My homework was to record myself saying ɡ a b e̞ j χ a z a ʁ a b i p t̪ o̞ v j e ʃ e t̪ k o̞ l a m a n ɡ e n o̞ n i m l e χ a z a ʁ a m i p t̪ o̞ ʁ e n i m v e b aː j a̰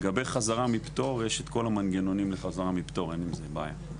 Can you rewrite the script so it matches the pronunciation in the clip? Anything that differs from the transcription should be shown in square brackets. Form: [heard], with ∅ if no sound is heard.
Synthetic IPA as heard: ɡ a b e̞ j χ a z a ʁ a [m] i p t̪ o̞ [ʁ] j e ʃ e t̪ k o̞ l a m a n ɡ e n o̞ n i m l e χ a z a ʁ a m i p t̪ o̞ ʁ e n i m [z] e b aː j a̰